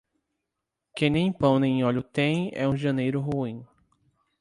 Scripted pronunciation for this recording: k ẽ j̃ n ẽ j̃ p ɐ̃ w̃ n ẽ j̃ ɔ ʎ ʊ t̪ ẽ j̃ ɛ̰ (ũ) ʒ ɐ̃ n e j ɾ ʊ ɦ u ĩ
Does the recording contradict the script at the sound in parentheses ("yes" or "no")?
no